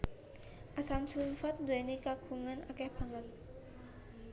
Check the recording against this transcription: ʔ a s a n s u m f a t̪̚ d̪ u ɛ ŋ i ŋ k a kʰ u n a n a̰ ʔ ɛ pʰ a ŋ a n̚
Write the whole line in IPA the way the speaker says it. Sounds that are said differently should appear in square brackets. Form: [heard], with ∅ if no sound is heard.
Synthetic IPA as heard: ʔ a s a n s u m f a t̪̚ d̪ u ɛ [n] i [∅] k a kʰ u [ŋ] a n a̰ [k] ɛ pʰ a ŋ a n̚